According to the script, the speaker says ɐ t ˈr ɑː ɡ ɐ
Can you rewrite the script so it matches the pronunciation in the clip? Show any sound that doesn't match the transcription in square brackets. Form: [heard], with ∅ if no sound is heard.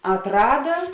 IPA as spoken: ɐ t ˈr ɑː [d] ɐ